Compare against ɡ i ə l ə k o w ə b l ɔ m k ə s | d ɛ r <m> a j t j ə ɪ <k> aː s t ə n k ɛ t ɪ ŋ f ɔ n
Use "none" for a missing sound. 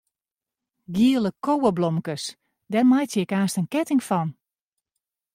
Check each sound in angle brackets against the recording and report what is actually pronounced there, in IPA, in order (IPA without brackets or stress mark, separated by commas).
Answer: m, k